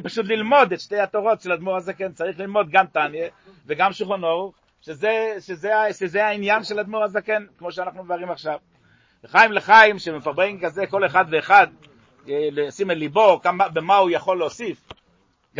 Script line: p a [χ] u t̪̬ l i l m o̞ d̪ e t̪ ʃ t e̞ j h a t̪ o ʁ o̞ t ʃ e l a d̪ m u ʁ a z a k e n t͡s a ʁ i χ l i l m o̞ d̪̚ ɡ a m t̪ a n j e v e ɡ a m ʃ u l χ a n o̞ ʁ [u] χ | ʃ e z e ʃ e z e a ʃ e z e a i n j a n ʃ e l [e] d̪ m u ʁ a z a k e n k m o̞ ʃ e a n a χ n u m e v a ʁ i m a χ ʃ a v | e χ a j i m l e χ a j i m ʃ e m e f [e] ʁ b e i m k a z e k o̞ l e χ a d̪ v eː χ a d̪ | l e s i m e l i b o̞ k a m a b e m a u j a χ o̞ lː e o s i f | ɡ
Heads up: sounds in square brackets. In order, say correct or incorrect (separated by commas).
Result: incorrect, correct, incorrect, incorrect